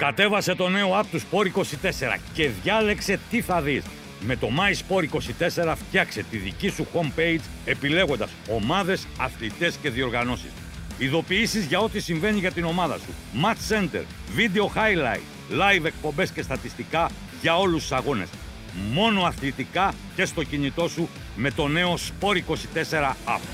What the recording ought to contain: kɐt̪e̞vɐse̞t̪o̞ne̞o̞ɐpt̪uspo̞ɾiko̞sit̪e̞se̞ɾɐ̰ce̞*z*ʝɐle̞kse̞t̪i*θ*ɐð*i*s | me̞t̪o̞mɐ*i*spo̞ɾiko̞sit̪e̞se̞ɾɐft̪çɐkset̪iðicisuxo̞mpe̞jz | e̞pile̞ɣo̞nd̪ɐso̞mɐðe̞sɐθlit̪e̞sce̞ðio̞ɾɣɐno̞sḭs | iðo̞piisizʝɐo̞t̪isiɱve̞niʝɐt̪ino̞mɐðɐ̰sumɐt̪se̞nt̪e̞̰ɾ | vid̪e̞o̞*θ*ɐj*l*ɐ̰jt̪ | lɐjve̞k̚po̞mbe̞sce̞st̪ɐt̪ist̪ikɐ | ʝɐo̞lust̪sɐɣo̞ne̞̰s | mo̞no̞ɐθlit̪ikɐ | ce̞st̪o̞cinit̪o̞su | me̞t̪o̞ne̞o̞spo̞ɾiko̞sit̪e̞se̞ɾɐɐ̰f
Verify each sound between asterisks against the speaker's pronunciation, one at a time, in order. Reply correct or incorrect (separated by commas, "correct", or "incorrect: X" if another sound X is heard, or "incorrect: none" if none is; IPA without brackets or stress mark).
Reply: incorrect: ð, correct, correct, correct, incorrect: x, correct